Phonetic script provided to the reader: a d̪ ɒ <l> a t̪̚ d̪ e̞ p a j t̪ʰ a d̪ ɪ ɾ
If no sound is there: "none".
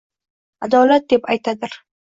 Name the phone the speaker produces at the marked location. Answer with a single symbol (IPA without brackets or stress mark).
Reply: l